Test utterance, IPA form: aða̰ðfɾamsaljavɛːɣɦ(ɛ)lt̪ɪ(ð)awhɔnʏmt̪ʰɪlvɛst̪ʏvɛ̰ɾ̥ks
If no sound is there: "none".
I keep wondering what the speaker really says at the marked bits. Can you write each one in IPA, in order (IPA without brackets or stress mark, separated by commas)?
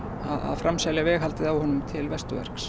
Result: a, ð